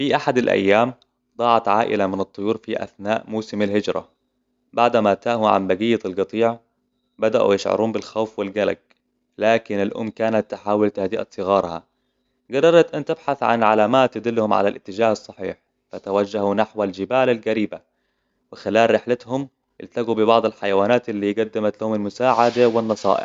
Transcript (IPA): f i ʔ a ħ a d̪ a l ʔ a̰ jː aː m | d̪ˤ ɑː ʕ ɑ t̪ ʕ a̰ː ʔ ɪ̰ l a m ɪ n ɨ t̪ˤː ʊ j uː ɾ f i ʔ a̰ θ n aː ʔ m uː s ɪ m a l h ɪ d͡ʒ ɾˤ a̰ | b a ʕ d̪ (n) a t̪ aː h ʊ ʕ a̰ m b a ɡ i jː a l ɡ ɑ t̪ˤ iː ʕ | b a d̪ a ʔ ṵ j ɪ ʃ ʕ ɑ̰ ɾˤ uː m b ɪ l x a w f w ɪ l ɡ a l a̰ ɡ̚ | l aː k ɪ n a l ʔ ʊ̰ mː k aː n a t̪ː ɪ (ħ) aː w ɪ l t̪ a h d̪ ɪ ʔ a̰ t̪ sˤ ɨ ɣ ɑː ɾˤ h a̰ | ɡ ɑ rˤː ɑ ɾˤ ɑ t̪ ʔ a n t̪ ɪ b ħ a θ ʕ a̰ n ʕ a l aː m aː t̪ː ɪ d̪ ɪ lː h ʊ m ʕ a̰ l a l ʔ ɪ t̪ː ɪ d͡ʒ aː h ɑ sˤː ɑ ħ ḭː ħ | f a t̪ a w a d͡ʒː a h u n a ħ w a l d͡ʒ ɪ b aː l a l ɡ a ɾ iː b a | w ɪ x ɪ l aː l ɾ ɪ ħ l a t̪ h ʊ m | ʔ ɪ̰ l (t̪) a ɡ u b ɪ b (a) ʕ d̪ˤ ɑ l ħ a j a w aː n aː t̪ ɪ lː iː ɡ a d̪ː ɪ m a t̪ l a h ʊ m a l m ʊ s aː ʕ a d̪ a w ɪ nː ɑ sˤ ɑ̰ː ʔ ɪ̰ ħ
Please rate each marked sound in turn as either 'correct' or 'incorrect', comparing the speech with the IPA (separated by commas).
incorrect, correct, correct, incorrect